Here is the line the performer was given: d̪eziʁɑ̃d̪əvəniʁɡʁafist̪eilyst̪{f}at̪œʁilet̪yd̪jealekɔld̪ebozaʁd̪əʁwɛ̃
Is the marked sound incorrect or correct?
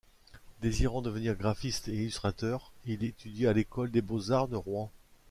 incorrect: χ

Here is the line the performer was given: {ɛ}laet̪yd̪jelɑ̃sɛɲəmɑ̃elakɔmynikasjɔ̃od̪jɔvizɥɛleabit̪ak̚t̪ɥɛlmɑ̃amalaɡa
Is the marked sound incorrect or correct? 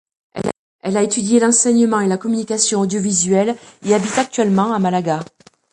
correct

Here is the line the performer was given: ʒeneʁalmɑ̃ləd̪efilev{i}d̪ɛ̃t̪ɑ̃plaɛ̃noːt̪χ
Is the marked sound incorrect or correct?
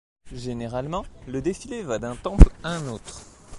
incorrect: a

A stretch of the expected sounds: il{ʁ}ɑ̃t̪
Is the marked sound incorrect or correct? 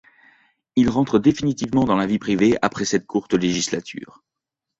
correct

